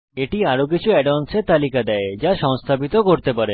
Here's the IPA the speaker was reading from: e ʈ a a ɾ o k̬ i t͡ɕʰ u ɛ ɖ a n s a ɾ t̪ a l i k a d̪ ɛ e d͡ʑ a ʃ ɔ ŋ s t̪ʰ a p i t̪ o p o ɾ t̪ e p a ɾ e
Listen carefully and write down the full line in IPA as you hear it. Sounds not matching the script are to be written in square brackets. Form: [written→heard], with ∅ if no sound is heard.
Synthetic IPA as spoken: e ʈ [a→i] a ɾ o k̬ i t͡ɕʰ u ɛ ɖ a n s [a→e] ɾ t̪ a l i k a d̪ ɛ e d͡ʑ a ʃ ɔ ŋ s t̪ʰ a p i t̪ o [p→k] o ɾ t̪ e p a ɾ e